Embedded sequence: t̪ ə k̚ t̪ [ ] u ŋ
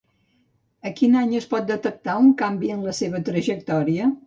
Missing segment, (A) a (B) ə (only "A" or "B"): A